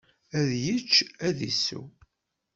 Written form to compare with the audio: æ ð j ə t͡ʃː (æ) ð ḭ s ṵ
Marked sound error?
no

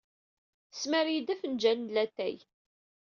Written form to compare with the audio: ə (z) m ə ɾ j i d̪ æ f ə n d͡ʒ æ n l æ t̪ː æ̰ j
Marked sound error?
yes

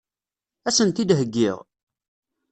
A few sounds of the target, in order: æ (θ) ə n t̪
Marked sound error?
yes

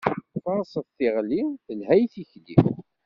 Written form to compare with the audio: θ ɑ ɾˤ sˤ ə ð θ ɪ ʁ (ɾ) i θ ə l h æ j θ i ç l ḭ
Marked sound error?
yes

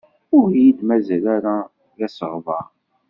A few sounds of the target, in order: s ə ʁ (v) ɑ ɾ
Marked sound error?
no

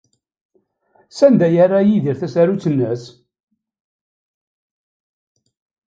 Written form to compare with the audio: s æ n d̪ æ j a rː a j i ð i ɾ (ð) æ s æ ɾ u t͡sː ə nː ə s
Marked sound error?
yes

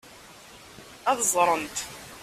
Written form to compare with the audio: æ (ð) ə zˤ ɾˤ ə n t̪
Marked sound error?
no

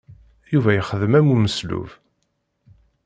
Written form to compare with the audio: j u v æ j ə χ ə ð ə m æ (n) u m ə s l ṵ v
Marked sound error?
yes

